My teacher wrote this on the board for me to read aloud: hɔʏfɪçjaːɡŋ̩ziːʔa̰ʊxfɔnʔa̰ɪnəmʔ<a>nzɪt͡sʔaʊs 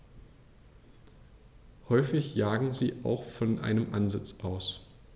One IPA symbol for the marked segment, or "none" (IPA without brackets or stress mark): a